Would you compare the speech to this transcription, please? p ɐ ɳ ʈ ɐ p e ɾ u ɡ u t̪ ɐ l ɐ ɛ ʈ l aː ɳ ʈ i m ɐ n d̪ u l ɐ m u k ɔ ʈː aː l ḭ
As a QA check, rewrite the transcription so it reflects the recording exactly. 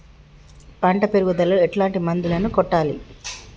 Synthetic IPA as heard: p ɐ ɳ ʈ ɐ p e ɾ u ɡ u d̪ ɐ l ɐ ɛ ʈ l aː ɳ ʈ i m ɐ n d̪ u l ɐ n u k ɔ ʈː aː l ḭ